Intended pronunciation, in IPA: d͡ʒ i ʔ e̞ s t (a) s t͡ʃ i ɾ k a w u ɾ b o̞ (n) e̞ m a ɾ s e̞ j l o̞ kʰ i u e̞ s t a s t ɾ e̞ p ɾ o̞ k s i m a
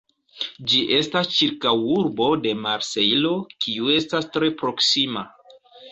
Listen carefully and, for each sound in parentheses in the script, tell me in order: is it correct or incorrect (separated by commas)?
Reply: correct, incorrect